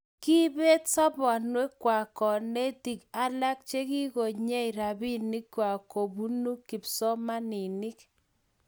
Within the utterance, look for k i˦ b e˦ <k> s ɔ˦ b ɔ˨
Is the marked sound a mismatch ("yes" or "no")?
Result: yes